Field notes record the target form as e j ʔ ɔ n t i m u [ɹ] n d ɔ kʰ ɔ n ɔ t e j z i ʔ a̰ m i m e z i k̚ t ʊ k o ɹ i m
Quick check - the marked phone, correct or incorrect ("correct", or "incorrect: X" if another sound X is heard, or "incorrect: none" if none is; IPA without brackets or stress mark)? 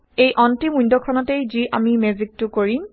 incorrect: none